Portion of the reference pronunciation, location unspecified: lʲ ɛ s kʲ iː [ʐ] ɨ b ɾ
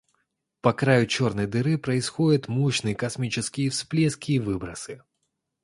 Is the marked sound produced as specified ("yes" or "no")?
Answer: no